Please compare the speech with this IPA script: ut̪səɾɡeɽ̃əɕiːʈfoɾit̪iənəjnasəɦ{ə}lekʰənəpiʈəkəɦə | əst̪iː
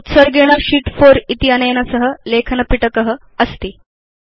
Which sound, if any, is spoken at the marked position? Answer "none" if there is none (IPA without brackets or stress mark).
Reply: ə